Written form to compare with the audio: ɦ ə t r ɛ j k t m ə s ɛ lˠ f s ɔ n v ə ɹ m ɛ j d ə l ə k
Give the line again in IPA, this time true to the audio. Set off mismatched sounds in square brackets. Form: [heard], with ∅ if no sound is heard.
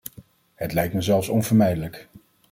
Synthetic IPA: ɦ ə t [l] ɛ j k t m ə [z] ɛ lˠ f s ɔ n v ə ɹ m ɛ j d ə l ə k